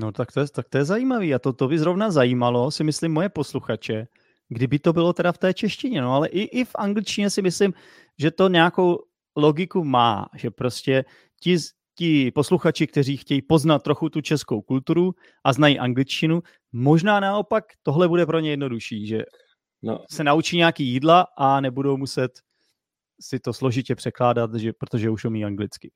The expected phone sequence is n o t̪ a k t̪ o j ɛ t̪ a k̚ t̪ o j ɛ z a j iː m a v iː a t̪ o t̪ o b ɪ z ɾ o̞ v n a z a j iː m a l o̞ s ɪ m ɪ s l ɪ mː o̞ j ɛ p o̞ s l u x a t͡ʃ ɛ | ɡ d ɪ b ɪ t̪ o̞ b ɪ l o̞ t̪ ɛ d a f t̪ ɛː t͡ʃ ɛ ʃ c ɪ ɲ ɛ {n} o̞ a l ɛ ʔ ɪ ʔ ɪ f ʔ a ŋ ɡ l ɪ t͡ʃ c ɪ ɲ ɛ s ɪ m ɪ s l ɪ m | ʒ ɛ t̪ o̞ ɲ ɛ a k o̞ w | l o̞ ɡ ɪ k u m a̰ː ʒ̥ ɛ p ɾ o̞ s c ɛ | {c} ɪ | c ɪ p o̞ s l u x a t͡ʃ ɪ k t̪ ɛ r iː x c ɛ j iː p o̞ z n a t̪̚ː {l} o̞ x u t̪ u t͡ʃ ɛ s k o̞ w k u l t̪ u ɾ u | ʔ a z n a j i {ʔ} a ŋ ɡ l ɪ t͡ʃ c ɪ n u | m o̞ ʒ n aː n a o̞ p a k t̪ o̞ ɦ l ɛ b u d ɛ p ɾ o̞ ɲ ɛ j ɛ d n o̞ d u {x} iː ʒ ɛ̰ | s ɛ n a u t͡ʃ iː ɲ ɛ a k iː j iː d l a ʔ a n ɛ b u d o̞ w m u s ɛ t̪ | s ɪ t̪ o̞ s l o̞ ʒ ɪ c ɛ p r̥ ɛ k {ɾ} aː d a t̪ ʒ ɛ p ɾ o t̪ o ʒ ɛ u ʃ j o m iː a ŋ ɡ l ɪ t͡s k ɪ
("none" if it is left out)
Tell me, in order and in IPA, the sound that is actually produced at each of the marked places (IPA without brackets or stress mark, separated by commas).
n, c, ɾ, ʔ, ʃ, l